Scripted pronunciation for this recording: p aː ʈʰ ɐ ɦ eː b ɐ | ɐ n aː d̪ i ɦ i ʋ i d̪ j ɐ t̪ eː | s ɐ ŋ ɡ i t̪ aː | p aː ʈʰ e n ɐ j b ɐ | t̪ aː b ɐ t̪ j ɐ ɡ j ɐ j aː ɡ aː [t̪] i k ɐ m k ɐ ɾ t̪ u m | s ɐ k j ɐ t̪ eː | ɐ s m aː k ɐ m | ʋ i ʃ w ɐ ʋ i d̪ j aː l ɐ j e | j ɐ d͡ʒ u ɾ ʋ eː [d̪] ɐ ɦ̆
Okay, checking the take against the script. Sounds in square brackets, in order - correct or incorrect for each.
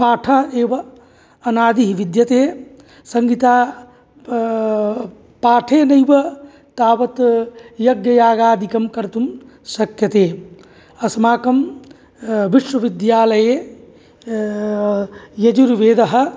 incorrect: d̪, correct

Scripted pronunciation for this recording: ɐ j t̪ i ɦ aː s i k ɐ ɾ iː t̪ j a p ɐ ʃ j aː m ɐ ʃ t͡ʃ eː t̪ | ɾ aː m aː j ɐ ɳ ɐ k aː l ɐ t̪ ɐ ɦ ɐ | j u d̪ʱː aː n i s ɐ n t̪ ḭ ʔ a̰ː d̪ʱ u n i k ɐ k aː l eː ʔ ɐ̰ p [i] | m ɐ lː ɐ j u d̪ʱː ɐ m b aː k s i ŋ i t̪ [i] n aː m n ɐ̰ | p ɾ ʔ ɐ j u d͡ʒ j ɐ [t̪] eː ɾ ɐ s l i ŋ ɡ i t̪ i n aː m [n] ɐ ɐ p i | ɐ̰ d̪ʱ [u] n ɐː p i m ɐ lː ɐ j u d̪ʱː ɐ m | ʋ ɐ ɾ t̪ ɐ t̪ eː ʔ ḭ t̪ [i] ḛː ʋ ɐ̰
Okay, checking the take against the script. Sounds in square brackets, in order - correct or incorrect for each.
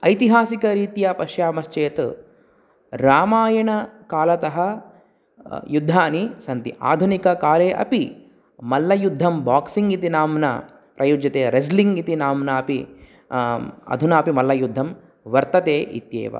correct, correct, correct, correct, correct, incorrect: j

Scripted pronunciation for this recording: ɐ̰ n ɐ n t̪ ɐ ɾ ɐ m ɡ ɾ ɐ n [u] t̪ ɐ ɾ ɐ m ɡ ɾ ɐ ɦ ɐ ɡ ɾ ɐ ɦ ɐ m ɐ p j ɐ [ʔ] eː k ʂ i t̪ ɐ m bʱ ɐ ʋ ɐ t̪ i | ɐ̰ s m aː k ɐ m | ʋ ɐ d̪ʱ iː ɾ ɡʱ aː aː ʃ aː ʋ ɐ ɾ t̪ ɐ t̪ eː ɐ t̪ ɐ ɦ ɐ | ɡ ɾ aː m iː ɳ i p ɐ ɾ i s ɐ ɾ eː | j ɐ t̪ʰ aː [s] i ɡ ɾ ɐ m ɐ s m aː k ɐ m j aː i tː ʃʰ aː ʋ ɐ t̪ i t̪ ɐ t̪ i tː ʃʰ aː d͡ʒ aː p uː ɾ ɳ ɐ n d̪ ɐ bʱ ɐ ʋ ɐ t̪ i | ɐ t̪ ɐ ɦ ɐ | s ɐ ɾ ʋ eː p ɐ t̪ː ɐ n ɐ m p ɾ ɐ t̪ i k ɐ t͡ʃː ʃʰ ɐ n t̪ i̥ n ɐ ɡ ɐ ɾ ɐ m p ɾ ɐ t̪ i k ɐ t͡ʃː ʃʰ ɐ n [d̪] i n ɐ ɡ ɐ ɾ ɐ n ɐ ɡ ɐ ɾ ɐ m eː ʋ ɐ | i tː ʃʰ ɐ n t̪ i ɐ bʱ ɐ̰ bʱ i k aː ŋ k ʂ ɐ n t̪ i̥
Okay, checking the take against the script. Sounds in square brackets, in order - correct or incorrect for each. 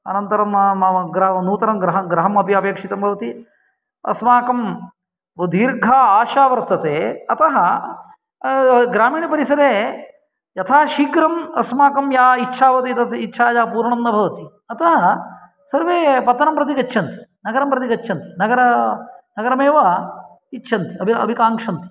incorrect: uː, incorrect: p, incorrect: ʃ, incorrect: t̪

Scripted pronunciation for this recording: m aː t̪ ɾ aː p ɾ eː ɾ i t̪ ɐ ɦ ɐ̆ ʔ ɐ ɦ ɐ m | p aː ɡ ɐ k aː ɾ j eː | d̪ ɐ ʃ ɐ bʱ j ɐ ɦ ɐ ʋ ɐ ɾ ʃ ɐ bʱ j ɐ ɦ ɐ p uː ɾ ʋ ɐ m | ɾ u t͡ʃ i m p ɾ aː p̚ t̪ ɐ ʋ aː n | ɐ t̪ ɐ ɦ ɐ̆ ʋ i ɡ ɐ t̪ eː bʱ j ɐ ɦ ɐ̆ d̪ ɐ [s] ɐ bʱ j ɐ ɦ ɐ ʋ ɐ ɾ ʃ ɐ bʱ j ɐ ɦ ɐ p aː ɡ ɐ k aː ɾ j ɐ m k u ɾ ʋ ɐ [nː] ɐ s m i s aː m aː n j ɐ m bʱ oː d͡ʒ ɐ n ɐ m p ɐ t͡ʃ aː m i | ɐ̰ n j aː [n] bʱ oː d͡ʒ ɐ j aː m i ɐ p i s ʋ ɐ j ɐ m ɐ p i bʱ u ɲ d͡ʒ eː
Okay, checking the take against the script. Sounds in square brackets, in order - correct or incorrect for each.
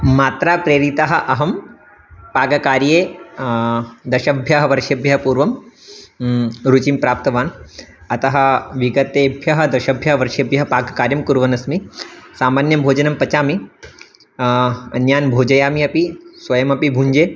incorrect: ʃ, incorrect: n, correct

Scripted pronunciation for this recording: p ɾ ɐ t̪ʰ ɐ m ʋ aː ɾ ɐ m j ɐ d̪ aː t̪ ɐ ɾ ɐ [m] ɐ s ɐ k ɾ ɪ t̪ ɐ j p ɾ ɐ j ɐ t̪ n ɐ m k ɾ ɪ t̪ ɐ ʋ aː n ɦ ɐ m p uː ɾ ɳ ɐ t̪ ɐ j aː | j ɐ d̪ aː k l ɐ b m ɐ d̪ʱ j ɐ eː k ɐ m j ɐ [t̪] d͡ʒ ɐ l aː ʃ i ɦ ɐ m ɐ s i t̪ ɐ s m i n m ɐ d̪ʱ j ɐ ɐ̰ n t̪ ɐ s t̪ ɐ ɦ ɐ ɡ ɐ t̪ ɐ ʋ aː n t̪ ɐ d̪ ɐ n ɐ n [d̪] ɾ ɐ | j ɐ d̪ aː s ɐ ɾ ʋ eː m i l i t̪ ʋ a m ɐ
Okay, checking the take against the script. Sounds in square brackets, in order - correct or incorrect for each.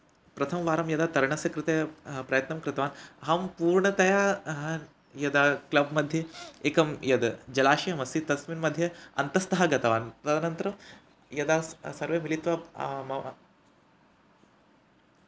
incorrect: ɳ, incorrect: d̪, incorrect: t̪

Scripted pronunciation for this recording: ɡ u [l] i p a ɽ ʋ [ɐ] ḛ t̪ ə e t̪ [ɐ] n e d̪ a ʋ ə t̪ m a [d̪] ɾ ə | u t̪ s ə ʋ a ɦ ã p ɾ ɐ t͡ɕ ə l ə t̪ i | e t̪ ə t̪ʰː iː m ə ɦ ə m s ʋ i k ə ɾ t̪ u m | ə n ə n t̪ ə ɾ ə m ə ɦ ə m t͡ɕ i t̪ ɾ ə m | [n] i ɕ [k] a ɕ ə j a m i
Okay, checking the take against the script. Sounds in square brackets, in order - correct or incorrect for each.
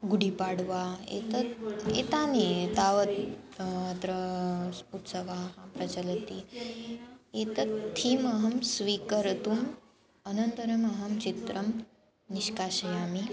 incorrect: ɽ, incorrect: a, incorrect: a, incorrect: t̪, correct, correct

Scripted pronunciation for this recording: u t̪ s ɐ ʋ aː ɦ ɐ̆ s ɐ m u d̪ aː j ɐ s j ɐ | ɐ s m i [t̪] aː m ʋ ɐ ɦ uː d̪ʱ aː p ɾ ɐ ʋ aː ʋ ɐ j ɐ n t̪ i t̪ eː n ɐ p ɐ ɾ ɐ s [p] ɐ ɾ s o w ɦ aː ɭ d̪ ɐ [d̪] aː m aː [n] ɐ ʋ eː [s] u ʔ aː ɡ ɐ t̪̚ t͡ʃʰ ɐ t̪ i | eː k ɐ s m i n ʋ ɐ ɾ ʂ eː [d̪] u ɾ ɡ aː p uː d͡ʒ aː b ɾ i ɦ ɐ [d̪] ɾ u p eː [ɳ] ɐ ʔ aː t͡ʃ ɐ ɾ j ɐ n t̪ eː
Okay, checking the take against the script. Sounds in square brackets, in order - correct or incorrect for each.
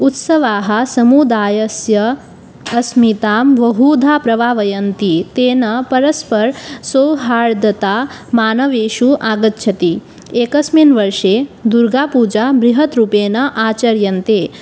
correct, correct, incorrect: t̪, correct, incorrect: ʃ, correct, incorrect: t̪, incorrect: n

